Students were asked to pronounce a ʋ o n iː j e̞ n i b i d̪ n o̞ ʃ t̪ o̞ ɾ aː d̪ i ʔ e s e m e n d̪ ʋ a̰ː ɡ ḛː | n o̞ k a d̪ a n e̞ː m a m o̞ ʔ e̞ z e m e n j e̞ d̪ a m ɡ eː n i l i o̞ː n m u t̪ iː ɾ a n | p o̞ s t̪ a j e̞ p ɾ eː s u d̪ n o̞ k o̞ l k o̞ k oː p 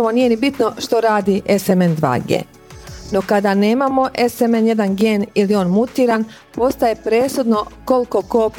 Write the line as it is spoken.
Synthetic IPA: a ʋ o n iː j e̞ n i b i t̪ n o̞ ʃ t̪ o̞ ɾ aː d̪ i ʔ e s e m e n d̪ ʋ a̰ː ɡ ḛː | n o̞ k a d̪ a n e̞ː m a m o̞ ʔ e̞ s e m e n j e̞ d̪ a n ɡ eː n i l i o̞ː n m u t̪ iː ɾ a n | p o̞ s t̪ a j e̞ p ɾ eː s u d̪ n o̞ k o̞ l k o̞ k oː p